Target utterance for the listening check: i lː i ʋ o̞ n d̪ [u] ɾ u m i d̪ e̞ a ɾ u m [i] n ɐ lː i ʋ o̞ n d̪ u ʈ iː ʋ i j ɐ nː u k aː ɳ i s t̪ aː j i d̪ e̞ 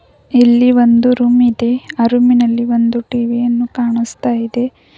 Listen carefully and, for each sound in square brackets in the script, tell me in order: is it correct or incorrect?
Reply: correct, correct

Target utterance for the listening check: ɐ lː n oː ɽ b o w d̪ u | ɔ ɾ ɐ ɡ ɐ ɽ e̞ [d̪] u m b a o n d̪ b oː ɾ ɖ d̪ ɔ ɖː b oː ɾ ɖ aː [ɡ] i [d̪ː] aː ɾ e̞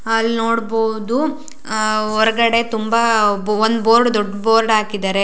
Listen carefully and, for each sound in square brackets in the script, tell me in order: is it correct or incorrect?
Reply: incorrect, incorrect, incorrect

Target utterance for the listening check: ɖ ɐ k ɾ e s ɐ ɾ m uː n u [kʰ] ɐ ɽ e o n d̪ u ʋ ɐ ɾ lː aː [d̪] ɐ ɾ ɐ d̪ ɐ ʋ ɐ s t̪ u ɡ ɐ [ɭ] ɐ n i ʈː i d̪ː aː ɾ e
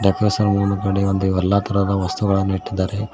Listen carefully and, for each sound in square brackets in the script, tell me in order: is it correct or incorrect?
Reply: incorrect, incorrect, correct

